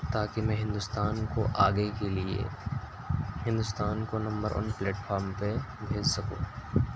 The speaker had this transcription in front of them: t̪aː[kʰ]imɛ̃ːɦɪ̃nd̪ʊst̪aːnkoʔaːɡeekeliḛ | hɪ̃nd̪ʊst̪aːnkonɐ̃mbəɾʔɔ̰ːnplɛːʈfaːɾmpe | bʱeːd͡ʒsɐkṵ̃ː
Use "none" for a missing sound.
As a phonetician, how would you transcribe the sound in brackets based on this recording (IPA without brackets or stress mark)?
k